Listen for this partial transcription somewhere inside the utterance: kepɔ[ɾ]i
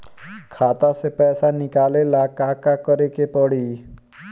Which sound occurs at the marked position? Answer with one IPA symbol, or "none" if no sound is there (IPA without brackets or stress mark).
ɽ